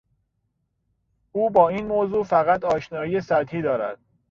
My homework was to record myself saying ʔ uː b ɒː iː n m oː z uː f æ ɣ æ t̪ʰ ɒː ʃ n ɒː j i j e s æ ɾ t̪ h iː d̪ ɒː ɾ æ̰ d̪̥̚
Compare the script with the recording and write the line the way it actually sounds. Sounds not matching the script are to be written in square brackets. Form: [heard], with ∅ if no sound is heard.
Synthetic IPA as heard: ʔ uː b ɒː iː n m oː z uː f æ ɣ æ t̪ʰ ɒː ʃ n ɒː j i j e s æ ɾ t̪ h iː d̪ ɒː ɾ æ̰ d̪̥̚